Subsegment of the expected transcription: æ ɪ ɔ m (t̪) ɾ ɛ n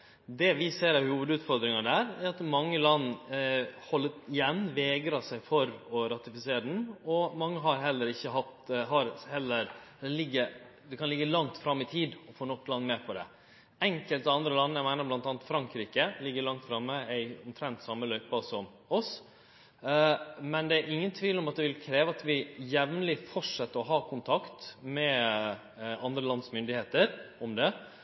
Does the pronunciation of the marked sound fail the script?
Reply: yes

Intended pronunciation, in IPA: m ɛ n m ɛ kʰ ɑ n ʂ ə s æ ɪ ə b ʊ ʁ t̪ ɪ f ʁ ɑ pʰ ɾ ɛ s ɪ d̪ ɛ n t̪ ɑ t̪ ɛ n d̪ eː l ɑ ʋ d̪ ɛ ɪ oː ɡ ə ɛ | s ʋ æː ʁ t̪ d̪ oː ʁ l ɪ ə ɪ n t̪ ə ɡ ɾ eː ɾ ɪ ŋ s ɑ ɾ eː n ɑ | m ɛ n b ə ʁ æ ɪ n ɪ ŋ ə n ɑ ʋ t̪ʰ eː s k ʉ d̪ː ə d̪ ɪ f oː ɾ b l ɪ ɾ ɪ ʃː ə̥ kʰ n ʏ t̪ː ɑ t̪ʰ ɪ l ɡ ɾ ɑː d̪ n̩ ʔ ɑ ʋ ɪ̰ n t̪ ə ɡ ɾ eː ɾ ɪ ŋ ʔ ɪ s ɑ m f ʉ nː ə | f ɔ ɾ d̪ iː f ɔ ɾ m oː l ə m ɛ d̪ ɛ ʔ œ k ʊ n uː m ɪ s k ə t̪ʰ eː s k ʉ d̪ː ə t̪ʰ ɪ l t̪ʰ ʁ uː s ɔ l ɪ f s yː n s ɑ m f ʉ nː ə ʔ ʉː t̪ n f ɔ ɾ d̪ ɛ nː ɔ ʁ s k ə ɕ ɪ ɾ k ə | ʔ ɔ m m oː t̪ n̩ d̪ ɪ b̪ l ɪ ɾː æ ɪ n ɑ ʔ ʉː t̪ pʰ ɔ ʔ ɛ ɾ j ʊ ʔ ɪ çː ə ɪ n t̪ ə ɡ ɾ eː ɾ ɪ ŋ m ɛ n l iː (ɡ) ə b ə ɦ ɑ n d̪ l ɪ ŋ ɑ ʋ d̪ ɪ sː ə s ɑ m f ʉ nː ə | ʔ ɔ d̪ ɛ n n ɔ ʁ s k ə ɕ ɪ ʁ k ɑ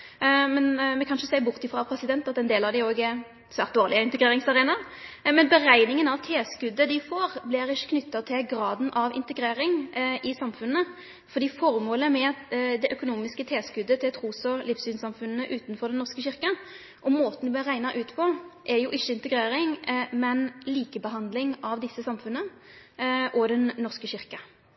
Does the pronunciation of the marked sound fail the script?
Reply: yes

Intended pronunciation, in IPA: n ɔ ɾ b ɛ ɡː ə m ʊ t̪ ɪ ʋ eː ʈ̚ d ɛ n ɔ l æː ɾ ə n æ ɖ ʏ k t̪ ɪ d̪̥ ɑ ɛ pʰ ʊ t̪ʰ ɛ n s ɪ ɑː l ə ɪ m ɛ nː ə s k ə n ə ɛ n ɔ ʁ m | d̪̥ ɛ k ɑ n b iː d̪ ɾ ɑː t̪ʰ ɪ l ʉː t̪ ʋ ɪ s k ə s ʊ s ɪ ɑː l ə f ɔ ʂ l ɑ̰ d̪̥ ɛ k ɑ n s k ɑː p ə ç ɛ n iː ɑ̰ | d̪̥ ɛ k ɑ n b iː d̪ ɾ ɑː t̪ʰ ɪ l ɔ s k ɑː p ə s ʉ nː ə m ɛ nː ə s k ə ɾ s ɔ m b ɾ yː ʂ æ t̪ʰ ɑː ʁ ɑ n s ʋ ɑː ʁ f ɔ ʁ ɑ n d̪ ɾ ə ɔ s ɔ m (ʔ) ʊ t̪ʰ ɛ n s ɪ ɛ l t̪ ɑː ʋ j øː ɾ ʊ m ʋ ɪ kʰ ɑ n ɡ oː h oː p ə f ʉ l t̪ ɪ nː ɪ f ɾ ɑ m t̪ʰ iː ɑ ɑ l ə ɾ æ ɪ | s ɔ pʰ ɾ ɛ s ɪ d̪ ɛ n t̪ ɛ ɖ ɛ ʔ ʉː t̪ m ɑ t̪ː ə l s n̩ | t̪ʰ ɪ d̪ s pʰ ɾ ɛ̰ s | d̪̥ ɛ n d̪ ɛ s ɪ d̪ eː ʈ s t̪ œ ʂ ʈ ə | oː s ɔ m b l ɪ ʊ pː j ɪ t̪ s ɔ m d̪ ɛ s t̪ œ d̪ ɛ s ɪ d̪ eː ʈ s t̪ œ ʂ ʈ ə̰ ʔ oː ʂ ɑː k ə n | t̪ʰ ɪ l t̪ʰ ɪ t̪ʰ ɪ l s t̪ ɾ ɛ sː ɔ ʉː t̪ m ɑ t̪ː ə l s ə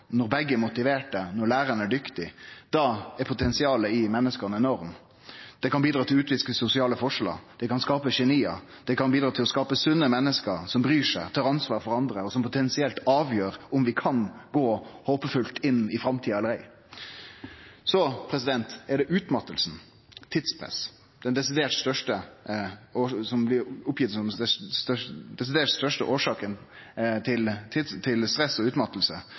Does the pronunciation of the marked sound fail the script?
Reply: yes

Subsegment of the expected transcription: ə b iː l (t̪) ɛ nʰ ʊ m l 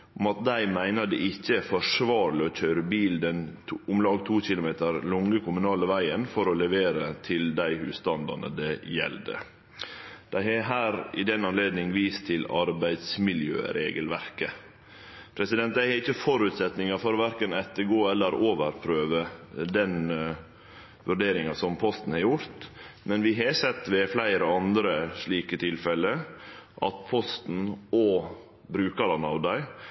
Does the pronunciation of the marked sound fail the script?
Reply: yes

